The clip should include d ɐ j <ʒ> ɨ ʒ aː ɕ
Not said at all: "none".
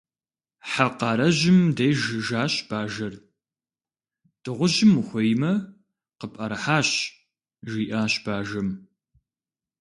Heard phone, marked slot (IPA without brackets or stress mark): ʒ